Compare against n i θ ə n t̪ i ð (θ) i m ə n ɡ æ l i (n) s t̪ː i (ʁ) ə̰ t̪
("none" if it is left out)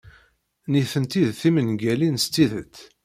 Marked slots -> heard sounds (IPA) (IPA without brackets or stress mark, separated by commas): θ, n, ð